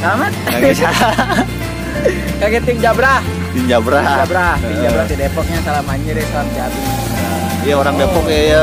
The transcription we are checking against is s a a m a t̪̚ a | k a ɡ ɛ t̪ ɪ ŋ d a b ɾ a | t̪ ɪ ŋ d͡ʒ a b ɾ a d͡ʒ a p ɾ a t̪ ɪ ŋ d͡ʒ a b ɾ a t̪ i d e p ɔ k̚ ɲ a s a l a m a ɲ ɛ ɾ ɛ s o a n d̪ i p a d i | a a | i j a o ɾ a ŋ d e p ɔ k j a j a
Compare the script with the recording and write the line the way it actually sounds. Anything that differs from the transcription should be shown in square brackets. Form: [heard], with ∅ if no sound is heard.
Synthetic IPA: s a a m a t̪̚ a | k a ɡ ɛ t̪ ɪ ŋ [d͡ʒ] a b ɾ a | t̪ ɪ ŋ d͡ʒ a b ɾ a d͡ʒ a [b] ɾ a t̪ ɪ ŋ d͡ʒ a b ɾ a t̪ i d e p ɔ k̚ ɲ a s a l a m a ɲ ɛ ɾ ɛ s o a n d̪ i [∅] a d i | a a | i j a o ɾ a ŋ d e p ɔ k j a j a